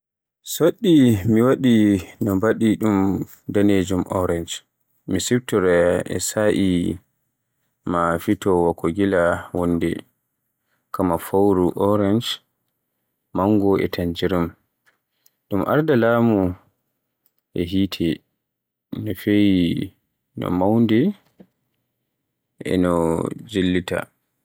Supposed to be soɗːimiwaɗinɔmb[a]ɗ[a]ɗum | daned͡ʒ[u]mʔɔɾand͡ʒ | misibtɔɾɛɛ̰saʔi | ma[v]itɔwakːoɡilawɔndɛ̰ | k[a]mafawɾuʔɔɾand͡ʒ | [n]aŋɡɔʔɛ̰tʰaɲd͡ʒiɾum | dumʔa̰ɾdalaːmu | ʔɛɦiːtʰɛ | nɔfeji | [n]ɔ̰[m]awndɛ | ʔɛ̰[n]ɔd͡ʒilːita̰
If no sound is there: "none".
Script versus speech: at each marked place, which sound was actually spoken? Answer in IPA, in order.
a, i, u, f, a, m, n, m, n

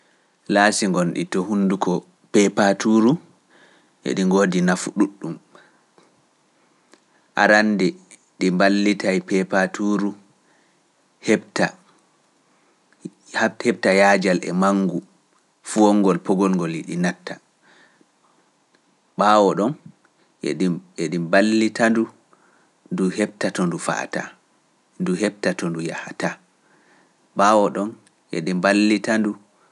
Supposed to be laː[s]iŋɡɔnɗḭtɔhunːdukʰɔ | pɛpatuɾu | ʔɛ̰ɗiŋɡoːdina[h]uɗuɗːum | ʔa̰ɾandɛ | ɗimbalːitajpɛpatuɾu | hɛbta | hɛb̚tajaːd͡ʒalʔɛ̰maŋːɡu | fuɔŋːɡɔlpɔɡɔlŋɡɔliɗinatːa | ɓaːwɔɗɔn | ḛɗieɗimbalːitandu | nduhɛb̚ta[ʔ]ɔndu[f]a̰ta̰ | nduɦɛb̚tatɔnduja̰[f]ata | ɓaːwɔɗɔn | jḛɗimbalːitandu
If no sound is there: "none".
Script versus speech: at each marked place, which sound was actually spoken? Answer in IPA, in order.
s, f, t, f, h

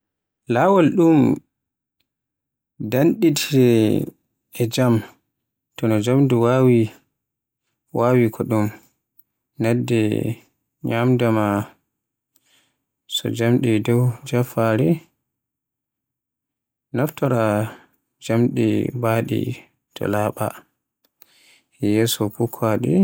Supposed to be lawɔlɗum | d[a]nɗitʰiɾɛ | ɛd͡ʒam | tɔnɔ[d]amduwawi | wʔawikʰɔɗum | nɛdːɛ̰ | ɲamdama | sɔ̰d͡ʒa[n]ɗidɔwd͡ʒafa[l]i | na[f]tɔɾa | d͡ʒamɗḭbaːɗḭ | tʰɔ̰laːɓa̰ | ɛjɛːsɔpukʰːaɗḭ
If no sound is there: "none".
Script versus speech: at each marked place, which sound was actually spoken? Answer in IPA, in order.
a, d͡ʒ, m, ɾ, f

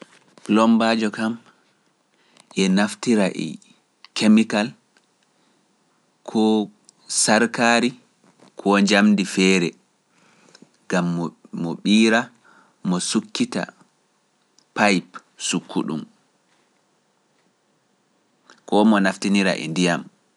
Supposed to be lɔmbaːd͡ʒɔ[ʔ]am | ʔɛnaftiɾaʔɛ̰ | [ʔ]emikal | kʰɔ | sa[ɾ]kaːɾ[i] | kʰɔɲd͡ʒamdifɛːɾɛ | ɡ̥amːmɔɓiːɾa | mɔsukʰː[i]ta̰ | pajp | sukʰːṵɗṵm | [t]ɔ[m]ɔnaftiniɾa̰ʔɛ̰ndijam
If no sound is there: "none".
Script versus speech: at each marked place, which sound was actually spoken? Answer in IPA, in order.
k, k, ɾ, i, i, k, m

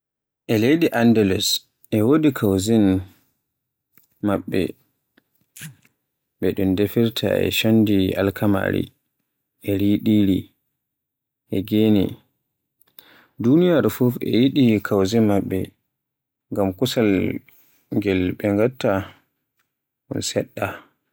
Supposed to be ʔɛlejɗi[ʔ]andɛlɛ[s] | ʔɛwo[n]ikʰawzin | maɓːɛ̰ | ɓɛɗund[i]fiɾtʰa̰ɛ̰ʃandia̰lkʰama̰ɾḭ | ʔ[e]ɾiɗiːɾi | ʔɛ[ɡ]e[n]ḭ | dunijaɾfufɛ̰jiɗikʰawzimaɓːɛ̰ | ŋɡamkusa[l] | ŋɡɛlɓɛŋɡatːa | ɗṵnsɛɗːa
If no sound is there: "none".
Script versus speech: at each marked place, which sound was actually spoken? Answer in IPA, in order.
ʔ, s, d, e, ɛ, ɡ, n, l

